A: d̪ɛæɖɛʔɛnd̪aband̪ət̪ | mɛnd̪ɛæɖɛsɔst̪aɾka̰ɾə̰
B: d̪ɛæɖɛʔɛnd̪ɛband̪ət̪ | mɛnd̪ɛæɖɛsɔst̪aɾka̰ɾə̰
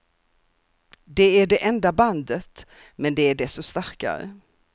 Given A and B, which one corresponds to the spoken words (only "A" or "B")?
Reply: A